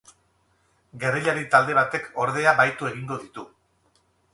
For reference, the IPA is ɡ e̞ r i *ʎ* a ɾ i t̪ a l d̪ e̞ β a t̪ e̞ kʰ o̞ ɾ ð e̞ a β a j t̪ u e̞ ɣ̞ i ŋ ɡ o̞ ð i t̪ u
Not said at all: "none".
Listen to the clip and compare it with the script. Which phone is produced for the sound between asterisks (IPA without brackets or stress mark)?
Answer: ʎ